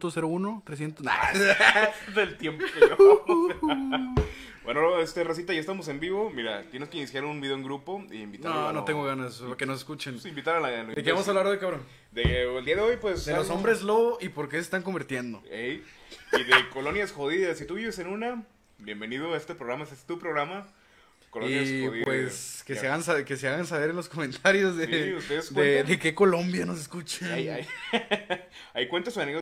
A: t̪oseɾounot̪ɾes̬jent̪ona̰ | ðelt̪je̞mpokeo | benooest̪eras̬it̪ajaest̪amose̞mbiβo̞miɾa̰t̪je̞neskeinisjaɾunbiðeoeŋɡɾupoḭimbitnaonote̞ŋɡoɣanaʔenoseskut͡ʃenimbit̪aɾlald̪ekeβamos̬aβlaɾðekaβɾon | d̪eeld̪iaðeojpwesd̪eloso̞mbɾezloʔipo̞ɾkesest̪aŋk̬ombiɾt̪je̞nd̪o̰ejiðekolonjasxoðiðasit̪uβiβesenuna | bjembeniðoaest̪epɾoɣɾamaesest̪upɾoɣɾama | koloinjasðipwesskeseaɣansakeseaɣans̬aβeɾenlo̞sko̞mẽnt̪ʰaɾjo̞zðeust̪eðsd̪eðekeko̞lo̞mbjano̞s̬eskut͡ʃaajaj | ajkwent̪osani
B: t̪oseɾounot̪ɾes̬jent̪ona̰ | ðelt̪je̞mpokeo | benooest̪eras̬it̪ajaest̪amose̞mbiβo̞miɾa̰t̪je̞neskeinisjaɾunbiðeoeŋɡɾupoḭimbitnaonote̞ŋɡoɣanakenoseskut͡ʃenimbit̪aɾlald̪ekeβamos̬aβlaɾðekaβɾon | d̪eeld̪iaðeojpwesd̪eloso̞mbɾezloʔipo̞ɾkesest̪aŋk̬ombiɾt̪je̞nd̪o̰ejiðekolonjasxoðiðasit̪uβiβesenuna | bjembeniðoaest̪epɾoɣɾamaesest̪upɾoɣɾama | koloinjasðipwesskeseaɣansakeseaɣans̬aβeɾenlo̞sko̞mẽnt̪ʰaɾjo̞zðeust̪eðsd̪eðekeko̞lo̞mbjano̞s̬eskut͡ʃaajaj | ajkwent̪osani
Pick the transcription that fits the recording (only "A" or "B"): B